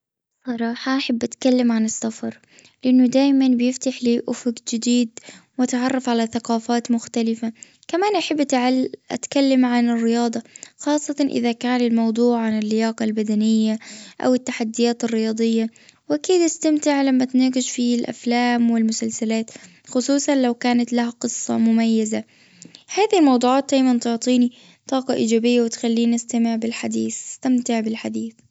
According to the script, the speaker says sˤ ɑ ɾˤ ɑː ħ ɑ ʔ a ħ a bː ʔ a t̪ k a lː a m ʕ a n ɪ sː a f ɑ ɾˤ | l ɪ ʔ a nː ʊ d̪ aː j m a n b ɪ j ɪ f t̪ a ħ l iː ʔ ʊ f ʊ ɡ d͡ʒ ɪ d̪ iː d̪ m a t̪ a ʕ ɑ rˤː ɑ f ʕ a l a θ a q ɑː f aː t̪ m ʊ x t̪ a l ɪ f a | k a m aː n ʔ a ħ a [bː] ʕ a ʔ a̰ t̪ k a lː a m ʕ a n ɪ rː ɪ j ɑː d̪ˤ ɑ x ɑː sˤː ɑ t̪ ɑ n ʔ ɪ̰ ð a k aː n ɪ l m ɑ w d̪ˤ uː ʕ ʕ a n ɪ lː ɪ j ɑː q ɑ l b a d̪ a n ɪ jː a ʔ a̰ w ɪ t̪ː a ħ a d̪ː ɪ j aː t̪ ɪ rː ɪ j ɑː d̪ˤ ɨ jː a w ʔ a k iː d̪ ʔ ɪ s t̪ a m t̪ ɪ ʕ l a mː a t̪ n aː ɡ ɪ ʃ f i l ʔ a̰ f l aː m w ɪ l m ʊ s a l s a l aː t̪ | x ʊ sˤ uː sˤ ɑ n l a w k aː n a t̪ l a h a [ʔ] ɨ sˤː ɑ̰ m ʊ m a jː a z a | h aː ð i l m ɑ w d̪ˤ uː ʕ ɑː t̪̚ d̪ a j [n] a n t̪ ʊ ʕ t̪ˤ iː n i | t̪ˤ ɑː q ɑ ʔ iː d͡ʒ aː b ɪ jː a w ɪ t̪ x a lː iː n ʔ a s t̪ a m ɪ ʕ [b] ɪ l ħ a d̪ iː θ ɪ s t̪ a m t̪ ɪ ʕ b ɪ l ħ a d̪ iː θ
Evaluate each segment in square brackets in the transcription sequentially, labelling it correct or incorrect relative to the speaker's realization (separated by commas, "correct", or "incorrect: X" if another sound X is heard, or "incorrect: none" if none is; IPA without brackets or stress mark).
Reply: correct, incorrect: q, incorrect: m, correct